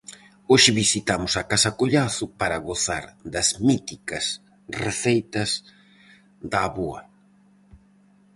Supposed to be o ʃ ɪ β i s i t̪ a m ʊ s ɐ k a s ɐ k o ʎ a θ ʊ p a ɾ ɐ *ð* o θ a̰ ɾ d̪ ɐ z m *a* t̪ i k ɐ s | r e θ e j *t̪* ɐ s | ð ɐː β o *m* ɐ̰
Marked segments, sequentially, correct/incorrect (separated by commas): incorrect, incorrect, correct, incorrect